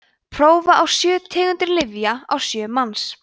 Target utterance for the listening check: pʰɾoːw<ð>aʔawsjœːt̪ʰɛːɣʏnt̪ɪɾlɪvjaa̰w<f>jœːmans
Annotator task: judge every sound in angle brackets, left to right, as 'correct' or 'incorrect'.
incorrect: v, incorrect: s

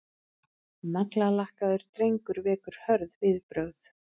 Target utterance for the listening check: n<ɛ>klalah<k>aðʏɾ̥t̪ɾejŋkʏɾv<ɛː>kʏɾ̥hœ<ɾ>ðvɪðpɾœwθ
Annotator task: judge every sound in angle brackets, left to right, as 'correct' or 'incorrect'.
incorrect: a, correct, correct, correct

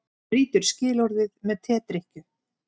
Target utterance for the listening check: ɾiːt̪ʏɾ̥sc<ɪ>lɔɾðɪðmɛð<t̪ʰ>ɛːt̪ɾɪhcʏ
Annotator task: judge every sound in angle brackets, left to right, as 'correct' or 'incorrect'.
incorrect: ɪː, correct

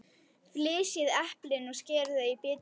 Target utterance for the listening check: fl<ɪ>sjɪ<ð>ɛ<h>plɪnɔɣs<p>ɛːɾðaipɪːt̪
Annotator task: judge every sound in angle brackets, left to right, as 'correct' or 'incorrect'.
incorrect: ɪː, correct, correct, incorrect: c

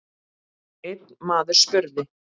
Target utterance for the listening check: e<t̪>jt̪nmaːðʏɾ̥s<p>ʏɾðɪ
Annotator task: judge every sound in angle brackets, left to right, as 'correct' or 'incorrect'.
incorrect: none, correct

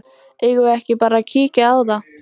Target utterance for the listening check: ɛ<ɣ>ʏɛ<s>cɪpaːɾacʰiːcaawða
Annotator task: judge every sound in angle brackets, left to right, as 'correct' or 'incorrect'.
correct, incorrect: h

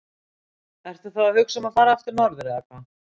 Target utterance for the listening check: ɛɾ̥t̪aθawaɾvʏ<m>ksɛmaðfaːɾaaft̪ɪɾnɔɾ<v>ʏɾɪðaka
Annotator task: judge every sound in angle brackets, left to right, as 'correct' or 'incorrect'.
incorrect: none, incorrect: ð

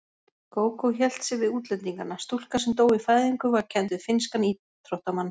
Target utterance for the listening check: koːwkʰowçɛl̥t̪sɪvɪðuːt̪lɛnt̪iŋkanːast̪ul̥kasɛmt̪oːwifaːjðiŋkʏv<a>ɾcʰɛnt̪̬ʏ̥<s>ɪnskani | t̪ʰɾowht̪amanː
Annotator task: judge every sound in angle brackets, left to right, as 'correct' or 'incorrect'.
correct, incorrect: f

